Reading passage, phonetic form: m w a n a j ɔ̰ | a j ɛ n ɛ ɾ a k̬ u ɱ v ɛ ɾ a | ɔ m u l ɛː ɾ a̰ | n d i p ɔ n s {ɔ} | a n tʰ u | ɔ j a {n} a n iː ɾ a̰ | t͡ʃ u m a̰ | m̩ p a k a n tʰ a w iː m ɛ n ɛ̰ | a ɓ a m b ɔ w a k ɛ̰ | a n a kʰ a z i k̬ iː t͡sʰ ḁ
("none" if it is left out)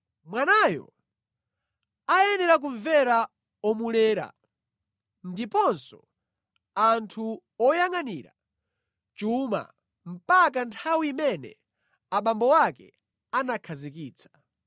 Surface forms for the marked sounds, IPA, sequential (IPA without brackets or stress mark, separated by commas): ɔ, ŋ